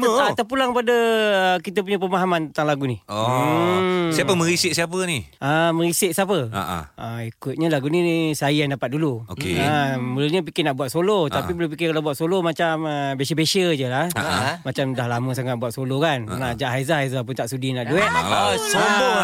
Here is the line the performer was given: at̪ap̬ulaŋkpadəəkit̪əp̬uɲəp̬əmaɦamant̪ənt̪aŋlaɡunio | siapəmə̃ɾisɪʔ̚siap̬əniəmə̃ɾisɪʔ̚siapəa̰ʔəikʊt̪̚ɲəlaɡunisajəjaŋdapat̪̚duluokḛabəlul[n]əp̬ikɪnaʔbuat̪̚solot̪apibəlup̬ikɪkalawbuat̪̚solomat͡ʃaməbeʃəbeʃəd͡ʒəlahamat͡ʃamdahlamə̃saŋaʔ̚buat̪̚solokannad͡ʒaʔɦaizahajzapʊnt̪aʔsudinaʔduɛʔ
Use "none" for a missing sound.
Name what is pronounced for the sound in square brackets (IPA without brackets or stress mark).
ɲ